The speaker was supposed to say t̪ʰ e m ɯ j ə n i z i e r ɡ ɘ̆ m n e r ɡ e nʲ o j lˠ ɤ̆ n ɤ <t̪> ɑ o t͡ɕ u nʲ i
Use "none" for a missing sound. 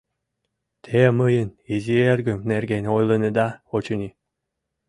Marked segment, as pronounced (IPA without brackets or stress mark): d̪